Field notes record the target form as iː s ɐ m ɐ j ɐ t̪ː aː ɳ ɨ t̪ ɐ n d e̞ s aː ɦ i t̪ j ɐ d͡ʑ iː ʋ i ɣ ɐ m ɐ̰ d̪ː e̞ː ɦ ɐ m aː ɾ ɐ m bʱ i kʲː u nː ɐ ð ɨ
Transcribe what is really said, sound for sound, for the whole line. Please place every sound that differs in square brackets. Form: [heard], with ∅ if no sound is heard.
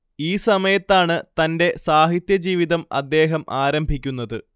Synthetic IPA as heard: iː s ɐ m ɐ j ɐ t̪ː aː ɳ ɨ t̪ ɐ n d e̞ s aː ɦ i t̪ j ɐ d͡ʑ iː ʋ i [ð] ɐ m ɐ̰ d̪ː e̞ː ɦ ɐ m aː ɾ ɐ m bʱ i kʲː u nː ɐ ð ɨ